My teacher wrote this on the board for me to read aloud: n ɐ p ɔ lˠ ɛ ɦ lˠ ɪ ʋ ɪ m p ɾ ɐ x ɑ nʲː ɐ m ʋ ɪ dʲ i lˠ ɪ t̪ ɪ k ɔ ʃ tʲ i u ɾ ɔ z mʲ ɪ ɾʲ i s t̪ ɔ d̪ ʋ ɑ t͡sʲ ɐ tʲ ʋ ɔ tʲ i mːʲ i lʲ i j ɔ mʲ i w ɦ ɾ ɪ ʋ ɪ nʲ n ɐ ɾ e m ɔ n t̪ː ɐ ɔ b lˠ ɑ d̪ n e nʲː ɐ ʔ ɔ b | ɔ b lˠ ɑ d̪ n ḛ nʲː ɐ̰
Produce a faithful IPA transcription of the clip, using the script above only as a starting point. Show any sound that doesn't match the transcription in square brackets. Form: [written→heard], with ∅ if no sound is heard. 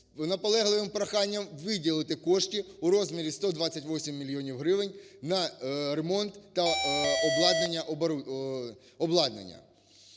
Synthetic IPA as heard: n ɐ p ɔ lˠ ɛ ɦ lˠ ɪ ʋ ɪ m p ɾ ɐ x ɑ nʲː ɐ m ʋ ɪ dʲ i lˠ ɪ t̪ ɪ k ɔ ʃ tʲ i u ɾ ɔ z mʲ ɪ ɾʲ i s t̪ ɔ d̪ ʋ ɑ t͡sʲ ɐ tʲ ʋ ɔ [tʲ→sʲ] i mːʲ i lʲ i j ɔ [mʲ→nʲ] i w ɦ ɾ ɪ ʋ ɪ nʲ n ɐ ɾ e m ɔ n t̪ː ɐ ɔ b lˠ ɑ d̪ n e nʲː ɐ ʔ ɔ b | ɔ b lˠ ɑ d̪ n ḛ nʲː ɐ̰

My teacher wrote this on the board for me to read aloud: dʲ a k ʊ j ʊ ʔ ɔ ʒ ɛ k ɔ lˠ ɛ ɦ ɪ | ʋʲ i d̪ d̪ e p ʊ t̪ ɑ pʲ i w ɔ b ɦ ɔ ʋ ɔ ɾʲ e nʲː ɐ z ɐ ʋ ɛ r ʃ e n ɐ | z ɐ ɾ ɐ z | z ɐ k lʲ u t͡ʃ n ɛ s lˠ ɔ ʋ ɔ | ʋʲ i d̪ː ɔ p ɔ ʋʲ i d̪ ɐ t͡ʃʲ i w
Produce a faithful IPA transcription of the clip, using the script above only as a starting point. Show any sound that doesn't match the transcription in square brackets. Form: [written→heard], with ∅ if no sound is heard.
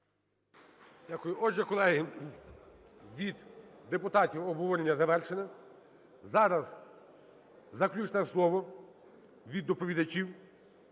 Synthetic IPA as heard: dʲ a k ʊ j ʊ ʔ ɔ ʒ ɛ k ɔ lˠ ɛ ɦ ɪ | ʋʲ i d̪ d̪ e p ʊ t̪ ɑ [pʲ→tʲ] i w ɔ b ɦ ɔ ʋ ɔ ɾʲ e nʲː ɐ z ɐ ʋ ɛ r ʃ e n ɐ | z [ɐ→ɑ] ɾ ɐ z | z ɐ k lʲ u t͡ʃ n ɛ s lˠ ɔ ʋ ɔ | ʋʲ i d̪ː ɔ p ɔ ʋʲ i d̪ ɐ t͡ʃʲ i w

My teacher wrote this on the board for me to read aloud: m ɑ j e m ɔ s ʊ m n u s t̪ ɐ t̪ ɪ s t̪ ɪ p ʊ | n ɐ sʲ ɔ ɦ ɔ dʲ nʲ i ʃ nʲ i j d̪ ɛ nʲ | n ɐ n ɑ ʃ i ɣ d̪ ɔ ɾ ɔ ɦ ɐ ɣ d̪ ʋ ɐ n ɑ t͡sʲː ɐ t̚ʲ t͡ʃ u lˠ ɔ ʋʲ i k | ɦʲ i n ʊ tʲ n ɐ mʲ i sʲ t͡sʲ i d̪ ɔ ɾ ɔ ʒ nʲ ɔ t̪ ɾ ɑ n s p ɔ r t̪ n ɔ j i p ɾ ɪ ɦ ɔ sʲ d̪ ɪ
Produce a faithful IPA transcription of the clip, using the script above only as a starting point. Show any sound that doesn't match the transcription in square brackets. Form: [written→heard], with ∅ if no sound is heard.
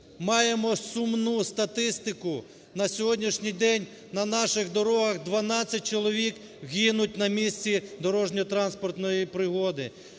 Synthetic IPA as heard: m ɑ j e m ɔ s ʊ m n u s t̪ ɐ t̪ ɪ s t̪ ɪ [p→k] ʊ | n ɐ sʲ ɔ ɦ ɔ dʲ nʲ i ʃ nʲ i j d̪ ɛ nʲ | n ɐ n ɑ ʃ [i→ɪ] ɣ d̪ ɔ ɾ ɔ ɦ ɐ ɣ d̪ ʋ ɐ n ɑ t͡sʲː ɐ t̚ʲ t͡ʃ [u→ɔ] lˠ ɔ ʋʲ i k | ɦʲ i n ʊ tʲ n ɐ mʲ i sʲ t͡sʲ i d̪ ɔ ɾ ɔ ʒ nʲ ɔ t̪ ɾ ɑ n s p ɔ r t̪ n ɔ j i p ɾ ɪ ɦ ɔ [sʲ→∅] d̪ ɪ

